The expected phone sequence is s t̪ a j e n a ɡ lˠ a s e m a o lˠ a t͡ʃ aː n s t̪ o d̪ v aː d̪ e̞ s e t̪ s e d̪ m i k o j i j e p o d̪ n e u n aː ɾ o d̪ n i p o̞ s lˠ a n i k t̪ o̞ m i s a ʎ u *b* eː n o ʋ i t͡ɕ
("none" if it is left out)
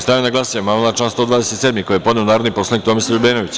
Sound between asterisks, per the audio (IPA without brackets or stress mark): b